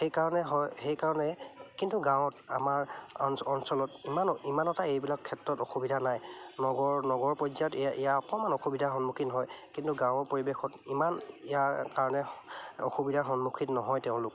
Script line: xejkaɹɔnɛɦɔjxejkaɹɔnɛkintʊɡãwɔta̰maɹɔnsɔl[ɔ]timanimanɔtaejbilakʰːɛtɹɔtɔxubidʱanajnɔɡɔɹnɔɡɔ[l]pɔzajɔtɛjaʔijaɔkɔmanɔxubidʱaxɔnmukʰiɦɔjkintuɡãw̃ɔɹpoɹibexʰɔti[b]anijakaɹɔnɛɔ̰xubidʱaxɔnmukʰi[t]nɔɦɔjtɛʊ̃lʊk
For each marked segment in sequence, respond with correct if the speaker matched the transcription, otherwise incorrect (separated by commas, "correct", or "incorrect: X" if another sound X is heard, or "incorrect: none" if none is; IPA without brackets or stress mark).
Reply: correct, incorrect: ɹ, incorrect: m, correct